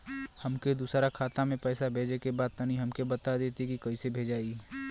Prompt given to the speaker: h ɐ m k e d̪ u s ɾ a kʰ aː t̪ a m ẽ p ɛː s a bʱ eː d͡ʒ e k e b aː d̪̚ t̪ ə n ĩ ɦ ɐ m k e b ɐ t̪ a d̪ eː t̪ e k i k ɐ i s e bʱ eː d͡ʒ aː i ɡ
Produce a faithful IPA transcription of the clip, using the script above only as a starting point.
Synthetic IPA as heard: h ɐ m k e d̪ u s ɾ a kʰ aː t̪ a m ẽ p ɛː s a bʱ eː d͡ʒ e k e b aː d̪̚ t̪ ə n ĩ ɦ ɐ m k e b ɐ t̪ a d̪ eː t̪ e k i k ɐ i s e bʱ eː d͡ʒ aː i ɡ